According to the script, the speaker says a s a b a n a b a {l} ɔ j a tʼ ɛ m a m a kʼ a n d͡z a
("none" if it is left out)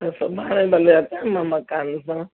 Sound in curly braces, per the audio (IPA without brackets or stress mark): l